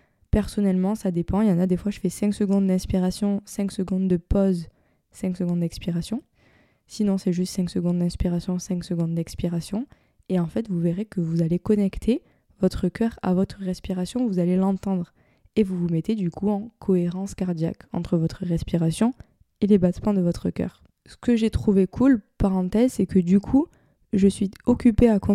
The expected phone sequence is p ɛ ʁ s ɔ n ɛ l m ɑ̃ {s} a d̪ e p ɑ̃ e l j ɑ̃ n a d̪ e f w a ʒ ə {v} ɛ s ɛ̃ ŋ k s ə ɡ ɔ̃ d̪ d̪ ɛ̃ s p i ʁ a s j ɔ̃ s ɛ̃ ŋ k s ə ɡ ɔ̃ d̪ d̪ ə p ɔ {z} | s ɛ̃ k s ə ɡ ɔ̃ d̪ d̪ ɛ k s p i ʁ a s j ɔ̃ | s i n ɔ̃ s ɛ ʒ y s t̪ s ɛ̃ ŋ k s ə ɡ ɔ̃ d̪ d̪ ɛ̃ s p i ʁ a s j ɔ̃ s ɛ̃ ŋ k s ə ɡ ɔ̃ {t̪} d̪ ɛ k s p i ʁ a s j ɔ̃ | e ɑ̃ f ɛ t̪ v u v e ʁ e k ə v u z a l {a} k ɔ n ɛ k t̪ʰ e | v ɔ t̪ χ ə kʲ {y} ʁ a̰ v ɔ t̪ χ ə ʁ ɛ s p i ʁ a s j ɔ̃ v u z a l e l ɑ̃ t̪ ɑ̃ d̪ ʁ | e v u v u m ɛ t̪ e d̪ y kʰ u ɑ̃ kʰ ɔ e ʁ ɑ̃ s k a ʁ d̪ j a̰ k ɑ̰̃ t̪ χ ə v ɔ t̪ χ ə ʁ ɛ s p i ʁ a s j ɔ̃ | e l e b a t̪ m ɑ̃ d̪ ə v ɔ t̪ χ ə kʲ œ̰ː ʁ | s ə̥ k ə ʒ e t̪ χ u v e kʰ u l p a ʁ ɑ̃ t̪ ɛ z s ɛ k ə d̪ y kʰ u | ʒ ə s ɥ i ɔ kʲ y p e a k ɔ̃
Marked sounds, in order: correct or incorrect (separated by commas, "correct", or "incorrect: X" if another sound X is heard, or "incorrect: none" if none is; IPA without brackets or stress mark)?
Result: correct, incorrect: f, correct, incorrect: d̪, incorrect: e, incorrect: œ